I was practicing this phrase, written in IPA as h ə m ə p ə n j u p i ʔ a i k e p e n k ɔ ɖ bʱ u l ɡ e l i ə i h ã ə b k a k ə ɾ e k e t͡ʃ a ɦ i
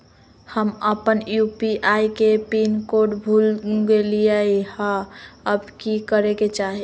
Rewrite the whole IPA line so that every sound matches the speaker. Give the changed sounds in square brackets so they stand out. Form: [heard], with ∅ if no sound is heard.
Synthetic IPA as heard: h ə m ə p ə n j u p i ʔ a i k e p [i] n k [o] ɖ bʱ u l ɡ e l i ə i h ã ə b k [i] k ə ɾ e k e t͡ʃ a ɦ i